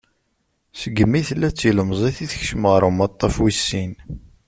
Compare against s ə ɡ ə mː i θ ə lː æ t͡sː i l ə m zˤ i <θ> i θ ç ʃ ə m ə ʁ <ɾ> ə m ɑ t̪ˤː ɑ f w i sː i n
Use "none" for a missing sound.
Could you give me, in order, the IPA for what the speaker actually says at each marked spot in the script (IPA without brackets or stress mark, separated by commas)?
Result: θ, ɾ